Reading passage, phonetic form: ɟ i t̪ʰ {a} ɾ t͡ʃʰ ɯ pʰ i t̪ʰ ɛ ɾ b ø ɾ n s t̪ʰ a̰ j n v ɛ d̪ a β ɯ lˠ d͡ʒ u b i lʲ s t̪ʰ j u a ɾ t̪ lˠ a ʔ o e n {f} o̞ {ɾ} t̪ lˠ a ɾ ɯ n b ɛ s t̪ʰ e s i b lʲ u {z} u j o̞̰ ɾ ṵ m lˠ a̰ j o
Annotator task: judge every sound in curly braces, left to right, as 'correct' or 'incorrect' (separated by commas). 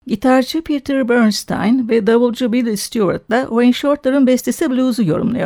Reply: correct, incorrect, correct, correct